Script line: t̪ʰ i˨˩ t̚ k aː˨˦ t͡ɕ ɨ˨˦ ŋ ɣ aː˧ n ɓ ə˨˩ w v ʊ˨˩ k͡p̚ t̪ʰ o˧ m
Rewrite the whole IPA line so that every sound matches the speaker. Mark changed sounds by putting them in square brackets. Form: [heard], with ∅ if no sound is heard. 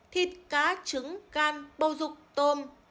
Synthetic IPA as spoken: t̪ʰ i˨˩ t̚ k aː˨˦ t͡ɕ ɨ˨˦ ŋ ɣ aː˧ n ɓ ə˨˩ w [z] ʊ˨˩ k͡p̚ [t̪] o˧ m